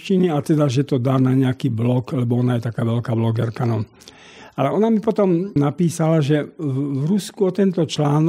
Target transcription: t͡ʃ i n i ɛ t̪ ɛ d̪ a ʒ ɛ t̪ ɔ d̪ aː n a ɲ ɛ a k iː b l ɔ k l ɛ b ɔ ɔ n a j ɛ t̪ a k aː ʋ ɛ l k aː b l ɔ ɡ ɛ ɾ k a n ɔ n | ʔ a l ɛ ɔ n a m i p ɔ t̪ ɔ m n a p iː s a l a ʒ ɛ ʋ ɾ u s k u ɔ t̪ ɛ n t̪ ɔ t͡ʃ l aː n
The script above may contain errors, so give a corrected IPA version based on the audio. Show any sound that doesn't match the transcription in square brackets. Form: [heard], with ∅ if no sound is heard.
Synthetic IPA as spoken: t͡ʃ i n i [a] t̪ ɛ d̪ a ʒ ɛ t̪ ɔ d̪ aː n a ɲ ɛ a k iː b l ɔ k l ɛ b ɔ ɔ n a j ɛ t̪ a k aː ʋ ɛ l k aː b l ɔ ɡ ɛ ɾ k a n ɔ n | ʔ a l ɛ ɔ n a m i p ɔ t̪ ɔ m n a p iː s a l a ʒ ɛ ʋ ɾ u s k u ɔ t̪ ɛ n t̪ ɔ t͡ʃ l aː n